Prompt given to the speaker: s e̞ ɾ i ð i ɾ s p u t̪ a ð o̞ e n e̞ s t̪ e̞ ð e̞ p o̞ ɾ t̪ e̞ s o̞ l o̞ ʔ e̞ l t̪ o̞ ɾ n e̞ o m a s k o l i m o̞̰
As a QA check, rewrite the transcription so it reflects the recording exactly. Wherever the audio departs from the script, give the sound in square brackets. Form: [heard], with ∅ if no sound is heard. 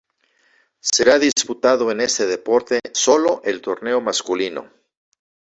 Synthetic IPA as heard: s e̞ ɾ [a] ð i [∅] s p u t̪ a ð o̞ e n e̞ s t̪ e̞ ð e̞ p o̞ ɾ t̪ e̞ s o̞ l o̞ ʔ e̞ l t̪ o̞ ɾ n e̞ o m a s k [u] l i [n] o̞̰